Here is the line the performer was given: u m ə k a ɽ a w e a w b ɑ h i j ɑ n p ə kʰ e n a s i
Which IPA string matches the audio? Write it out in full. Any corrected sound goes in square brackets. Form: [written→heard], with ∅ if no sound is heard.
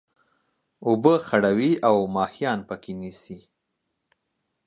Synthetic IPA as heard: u [m→b] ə [k→x] a ɽ a w [e→i] a w [b→m] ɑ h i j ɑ n p ə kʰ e n [a→i] s i